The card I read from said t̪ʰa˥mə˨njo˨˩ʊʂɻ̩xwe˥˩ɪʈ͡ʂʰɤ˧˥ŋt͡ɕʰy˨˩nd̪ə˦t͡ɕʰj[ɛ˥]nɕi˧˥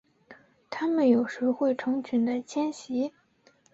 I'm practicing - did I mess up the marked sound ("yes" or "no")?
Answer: no